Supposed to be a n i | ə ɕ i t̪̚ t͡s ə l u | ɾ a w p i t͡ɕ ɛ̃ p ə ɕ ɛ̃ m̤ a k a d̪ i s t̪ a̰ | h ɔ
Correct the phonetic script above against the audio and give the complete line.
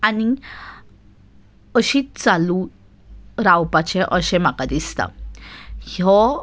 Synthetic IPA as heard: a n i | ə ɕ i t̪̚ t͡s a l u | ɾ a w p a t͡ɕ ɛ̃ ʔ ə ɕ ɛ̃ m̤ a k a d̪ i s t̪ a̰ | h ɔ

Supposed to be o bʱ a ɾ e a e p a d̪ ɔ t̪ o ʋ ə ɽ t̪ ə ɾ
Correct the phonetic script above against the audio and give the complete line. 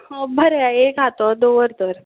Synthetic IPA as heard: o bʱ ə ɾ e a e k a t̪ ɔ d̪ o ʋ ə ɾ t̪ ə ɾ

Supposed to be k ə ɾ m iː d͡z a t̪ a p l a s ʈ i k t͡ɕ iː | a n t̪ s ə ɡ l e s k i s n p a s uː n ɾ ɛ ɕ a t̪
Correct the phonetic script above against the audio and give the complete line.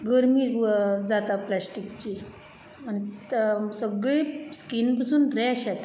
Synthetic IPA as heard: ɡ ə ɾ m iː d͡z a t̪ a p l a s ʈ i k t͡ɕ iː | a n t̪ s ə ɡ ɭ e s k i n p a s uː n ɾ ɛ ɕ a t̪

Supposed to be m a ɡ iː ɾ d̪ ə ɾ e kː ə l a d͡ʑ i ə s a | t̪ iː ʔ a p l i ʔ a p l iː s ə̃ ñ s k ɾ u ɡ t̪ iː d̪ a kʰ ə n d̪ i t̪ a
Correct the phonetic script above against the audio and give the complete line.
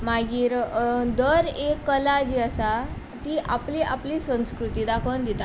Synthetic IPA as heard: m a ɡ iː ɾ d̪ ə ɾ e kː ə l a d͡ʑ i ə s a | t̪ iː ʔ a p l i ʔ a p l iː s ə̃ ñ s k ɾ u t̪ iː d̪ a kʰ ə n d̪ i t̪ a

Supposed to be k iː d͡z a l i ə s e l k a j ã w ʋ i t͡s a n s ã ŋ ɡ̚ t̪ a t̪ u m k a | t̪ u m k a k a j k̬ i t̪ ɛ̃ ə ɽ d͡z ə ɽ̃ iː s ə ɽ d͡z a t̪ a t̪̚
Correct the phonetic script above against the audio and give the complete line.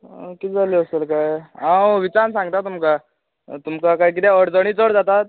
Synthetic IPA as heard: k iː d͡z a l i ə s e l k a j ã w ʋ i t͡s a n s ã ŋ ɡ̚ t̪ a t̪ u m k a | t̪ u m k a k a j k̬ i t̪ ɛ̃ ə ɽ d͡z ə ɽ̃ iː t͡s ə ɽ d͡z a t̪ a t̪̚

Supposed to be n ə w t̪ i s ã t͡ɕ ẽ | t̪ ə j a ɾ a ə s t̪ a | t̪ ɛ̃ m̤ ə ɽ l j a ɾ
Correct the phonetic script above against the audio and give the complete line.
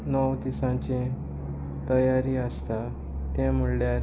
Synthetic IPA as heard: n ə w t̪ i s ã t͡ɕ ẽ | t̪ ə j a ɾ i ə s t̪ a | t̪ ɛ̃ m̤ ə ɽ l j a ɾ

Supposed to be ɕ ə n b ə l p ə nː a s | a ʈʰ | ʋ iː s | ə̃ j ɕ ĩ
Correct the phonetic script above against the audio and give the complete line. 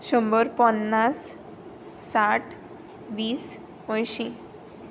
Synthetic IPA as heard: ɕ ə m b ə ɾ p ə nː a sː | a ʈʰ | ʋ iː s | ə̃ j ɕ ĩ

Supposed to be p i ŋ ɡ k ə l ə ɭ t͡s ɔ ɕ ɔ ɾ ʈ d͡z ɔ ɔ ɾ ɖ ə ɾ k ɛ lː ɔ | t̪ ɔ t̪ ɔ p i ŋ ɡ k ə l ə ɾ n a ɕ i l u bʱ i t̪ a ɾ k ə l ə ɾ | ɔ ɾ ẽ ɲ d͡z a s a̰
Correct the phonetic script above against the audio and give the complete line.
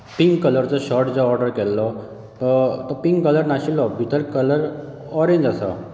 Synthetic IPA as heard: p i ŋ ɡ k ə l ə ɾ t͡s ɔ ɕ ɔ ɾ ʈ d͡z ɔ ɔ ɾ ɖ ə ɾ k ɛ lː ɔ | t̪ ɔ t̪ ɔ p i ŋ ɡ k ə l ə ɾ n a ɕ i l ɔ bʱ i t̪ ə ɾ k ə l ə ɾ | ɔ ɾ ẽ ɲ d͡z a s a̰

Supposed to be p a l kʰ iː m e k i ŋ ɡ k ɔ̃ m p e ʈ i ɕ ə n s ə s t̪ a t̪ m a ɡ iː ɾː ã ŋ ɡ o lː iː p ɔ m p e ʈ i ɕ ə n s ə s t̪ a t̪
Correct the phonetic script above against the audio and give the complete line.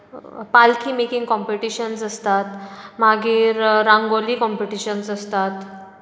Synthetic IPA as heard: p a l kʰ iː m e k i ŋ ɡ k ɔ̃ m p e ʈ i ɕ ə n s ə s t̪ a t̪ m a ɡ iː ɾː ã ŋ ɡ o l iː k ɔ m p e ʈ i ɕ ə n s ə s t̪ a t̪

